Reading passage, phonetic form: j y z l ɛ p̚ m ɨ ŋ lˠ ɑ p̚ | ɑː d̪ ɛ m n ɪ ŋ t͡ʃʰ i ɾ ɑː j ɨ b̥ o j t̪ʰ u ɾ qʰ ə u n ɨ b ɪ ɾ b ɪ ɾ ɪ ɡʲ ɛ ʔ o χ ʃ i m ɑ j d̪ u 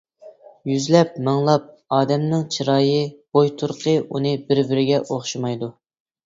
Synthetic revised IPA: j y z l ɛ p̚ m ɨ ŋ lˠ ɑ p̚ | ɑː d̪ ɛ m n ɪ ŋ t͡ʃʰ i ɾ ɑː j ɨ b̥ o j t̪ʰ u ɾ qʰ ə u n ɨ b ɪ ɾ b ɪ ɾ ɪ ɡʲ ɛ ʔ o χ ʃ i m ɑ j d̪ u